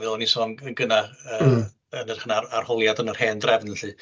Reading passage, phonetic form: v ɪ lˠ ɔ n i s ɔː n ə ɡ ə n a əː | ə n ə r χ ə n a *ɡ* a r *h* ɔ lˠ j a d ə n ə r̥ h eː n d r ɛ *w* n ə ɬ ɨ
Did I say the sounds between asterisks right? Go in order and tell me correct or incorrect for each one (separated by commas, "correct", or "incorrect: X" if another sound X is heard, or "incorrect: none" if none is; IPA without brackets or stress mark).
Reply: incorrect: none, correct, incorrect: v